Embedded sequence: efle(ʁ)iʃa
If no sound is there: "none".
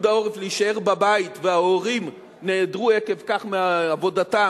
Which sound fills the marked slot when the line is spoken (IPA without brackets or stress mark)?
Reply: none